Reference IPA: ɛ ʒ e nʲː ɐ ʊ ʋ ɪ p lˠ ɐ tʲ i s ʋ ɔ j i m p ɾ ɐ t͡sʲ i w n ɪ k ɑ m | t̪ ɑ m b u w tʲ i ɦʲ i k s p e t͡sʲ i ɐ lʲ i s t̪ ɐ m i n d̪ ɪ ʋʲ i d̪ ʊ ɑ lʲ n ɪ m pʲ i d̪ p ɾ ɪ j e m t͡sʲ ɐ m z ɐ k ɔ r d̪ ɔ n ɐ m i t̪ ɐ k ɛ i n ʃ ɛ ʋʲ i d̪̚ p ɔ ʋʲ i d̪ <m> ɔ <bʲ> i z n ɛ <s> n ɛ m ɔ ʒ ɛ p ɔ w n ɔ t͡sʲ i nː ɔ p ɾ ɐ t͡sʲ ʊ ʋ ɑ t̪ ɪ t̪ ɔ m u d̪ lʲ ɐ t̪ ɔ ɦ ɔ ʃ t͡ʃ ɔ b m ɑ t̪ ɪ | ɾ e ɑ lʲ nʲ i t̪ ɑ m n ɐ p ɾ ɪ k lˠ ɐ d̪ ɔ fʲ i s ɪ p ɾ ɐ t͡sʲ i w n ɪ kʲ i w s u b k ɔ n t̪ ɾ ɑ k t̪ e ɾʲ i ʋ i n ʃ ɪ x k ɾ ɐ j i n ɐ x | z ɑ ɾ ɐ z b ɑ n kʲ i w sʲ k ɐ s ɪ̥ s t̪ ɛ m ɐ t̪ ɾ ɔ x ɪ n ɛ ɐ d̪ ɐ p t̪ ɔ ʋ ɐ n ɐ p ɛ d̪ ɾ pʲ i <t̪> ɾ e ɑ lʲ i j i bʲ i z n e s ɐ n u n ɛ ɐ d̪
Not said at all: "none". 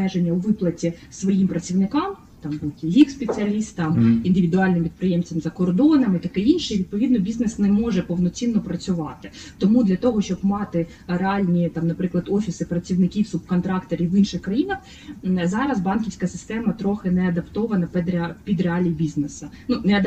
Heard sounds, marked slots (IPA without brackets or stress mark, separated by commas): n, bʲ, s, d̪